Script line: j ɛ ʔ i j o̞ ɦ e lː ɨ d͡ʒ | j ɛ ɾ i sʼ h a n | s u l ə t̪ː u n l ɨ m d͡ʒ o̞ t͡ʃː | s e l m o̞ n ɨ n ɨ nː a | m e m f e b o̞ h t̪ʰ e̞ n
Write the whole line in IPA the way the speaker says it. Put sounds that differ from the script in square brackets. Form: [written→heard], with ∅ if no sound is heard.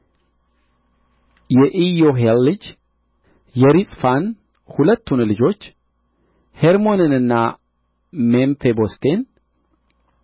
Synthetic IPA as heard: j ɛ ʔ i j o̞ ɦ e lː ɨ d͡ʒ | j ɛ ɾ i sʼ [h→f] a n | [s→h] u l ə t̪ː u n l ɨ [m→∅] d͡ʒ o̞ t͡ʃː | [s→h] e [l→ɾ] m o̞ n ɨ n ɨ nː a | m e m f e b o̞ [h→s] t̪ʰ e̞ n